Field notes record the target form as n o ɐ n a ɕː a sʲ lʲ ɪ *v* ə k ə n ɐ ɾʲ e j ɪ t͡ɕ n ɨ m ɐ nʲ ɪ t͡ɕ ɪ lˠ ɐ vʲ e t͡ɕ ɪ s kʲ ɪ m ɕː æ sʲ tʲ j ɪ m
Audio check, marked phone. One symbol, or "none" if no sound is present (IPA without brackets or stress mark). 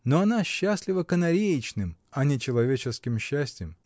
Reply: v